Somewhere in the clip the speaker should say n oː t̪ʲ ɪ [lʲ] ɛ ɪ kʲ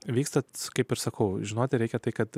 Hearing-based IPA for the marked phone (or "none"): ɾʲ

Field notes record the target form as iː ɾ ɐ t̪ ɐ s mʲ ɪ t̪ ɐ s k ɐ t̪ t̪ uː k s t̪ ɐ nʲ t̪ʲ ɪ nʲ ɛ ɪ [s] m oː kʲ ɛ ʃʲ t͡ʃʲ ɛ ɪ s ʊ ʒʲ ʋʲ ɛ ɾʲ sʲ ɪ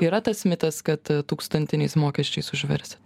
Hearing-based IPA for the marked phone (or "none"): s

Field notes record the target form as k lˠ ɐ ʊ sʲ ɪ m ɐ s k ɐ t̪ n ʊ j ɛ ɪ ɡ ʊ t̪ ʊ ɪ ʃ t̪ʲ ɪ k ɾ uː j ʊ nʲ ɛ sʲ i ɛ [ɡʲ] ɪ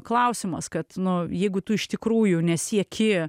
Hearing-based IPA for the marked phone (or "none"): kʲ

